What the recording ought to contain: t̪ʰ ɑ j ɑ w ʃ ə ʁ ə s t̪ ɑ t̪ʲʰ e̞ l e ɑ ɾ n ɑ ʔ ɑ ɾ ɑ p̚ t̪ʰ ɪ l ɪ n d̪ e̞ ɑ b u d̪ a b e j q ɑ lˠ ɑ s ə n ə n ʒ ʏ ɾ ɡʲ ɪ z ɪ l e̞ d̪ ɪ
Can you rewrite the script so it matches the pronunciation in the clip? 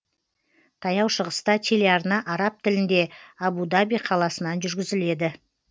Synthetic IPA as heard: t̪ʰ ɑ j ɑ w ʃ ə ʁ ə s t̪ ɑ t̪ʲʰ e̞ l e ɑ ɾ n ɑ ʔ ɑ ɾ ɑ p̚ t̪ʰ ɪ l ɪ n d̪ e̞ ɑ b u d̪ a b i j qʰ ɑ lˠ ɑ s ə n ɑ n ʒ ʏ ɾ ɡʲ ɪ z ɪ l e̞ d̪ ɪ

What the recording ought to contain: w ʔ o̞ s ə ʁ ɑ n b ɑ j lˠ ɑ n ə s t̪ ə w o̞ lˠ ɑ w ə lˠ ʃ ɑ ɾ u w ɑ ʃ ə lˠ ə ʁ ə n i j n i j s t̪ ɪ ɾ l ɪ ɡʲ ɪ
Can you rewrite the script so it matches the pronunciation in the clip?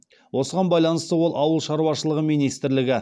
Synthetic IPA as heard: w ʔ o̞ s ə ʁ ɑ n b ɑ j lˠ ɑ n ə s t̪ ə w o̞ lˠ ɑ w ə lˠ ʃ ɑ ɾ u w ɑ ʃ ə lˠ ə ʁ ə m i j n i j s t̪ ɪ ɾ l ɪ ɡʲ ɪ

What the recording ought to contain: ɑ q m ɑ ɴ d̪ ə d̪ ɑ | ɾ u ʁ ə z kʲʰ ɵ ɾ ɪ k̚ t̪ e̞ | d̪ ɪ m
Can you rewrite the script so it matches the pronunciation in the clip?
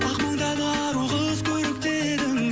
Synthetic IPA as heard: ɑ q m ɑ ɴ d̪ ɑ d̪ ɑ | ɾ u ʁ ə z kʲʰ ɵ ɾ ɪ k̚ t̪ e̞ | d̪ ɪ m

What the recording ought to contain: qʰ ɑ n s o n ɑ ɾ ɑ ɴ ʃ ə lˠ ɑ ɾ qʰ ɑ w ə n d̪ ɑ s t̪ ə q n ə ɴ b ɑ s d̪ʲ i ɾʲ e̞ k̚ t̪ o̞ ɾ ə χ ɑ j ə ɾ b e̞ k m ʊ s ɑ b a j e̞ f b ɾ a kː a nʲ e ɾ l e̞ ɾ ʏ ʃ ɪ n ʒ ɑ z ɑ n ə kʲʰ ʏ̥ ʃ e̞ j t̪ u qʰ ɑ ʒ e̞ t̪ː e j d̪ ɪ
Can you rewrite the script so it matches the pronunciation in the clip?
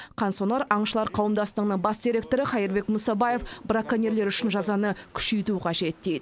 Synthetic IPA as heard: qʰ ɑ n s o n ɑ ɾ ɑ ɴ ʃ ə lˠ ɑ ɾ qʰ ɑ w ə m d̪ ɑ s t̪ ə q n ə ɴ b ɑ s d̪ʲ i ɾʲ e̞ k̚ t̪ o̞ ɾ ə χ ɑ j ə ɾ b e̞ k m ʊ s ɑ b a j e̞ f b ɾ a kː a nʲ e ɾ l e̞ ɾ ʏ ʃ ɪ n ʒ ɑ z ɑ n ə kʲʰ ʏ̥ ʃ e̞ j t̪ u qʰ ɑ ʒ e̞ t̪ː e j d̪ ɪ

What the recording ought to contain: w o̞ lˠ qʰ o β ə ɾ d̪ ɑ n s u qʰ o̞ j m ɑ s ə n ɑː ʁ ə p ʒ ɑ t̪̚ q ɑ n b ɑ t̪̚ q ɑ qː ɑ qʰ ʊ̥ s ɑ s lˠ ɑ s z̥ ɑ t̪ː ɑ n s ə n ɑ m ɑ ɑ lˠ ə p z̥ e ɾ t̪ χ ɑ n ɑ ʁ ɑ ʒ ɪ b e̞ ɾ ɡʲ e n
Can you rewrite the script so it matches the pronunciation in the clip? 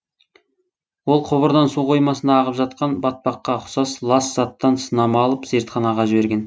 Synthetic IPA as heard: w o̞ lˠ qʰ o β ə ɾ d̪ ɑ n s u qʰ o̞ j m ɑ s ə n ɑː ʁ ə p ʒ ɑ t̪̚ q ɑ n b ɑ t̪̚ p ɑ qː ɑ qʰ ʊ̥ s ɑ s lˠ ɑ s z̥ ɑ t̪ː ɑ n s ə n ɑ m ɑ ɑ lˠ ə p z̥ e ɾ t̪ χ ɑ n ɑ ʁ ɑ ʒ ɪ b e̞ ɾ ɡʲ e n

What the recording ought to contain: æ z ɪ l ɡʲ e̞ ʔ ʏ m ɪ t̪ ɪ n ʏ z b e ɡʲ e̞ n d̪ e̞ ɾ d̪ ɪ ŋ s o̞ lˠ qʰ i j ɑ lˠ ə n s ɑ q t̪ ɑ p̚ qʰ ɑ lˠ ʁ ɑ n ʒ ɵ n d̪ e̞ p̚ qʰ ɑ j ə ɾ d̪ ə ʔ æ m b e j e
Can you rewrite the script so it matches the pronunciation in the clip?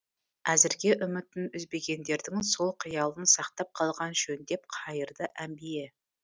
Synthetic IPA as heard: æ z ɪ ɾ ɡʲ e̞ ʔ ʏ m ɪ t̪ ɪ n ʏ z b e ɡʲ e̞ n d̪ e̞ ɾ d̪ ɪ ŋ s o̞ lˠ qʰ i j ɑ lˠ ə n s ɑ q t̪ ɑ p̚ qʰ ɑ lˠ ʁ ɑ n ʒ ɵ n d̪ e̞ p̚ qʰ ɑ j ə ɾ d̪ ə ʔ æ m b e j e

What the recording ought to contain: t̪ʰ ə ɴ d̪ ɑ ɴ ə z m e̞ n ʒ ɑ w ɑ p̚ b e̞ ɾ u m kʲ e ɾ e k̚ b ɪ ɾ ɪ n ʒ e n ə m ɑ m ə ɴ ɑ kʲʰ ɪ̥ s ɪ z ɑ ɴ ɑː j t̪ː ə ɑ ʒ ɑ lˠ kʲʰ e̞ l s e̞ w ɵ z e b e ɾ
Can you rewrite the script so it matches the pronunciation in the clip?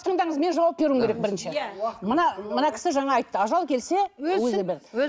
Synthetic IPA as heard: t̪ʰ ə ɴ d̪ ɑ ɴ ə z m e̞ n ʒ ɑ w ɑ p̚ b e̞ ɾ u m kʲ e ɾ e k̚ b ɪ ɾ ɪ n ʃ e m ə n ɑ m ə n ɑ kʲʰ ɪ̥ s ɪ ʒ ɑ ɴ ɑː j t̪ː ə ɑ ʒ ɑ lˠ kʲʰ e̞ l s e̞ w ɵ z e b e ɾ

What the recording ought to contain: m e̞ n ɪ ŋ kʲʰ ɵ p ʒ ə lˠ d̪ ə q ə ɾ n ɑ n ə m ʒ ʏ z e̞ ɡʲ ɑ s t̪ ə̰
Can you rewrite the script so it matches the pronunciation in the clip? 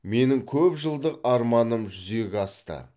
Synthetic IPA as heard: m e̞ n ɪ ŋ kʲʰ ɵ p ʒ ə lˠ d̪ ə q ɑ ɾ m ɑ n ə m ʒ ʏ z e̞ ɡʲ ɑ s t̪ ə̰

